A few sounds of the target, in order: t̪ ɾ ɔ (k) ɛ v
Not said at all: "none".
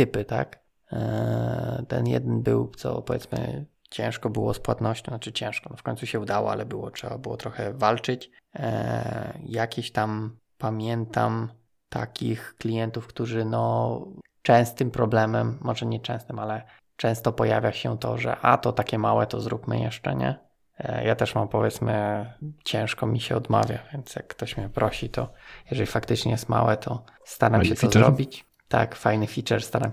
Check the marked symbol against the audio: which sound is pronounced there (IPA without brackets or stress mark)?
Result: x